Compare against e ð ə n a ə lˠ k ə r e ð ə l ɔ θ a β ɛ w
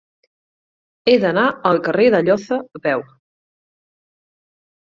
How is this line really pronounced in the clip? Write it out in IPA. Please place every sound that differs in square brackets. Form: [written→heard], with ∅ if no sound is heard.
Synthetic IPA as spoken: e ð ə n a ə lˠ k ə r e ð ə [l→ʎ] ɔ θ [a→ə] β ɛ w